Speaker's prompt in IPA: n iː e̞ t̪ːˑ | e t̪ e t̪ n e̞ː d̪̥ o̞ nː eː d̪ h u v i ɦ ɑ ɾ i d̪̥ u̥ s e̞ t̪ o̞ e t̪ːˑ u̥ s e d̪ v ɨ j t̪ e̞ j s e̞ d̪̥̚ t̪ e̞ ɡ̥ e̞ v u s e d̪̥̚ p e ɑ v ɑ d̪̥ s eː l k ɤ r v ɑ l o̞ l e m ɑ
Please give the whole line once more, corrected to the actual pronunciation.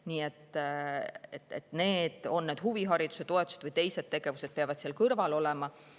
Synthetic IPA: n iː e̞ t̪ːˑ | e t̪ e t̪ n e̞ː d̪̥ o̞ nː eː d̪ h u v i ɦ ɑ ɾ i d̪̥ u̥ s e̞ t̪ o̞ e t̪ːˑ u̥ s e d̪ v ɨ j t̪ e̞ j s e̞ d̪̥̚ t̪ e̞ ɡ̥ e̞ v u s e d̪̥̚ p e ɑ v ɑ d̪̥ s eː l k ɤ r v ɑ l o̞ l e m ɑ